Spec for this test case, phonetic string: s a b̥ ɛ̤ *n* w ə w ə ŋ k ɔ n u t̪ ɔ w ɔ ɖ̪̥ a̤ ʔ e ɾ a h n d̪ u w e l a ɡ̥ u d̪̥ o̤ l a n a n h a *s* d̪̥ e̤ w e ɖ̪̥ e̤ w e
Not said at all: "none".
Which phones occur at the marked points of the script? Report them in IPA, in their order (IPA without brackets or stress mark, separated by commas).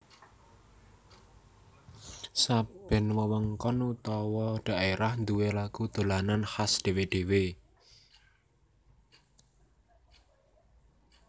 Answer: n, s